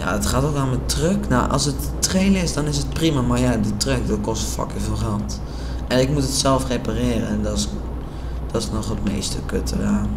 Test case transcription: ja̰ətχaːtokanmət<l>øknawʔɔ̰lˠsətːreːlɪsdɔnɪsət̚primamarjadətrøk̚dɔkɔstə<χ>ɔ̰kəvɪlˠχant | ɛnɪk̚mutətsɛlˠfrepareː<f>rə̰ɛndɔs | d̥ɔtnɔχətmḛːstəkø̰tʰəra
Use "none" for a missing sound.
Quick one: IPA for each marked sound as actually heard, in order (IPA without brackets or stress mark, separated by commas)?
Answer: r, f, none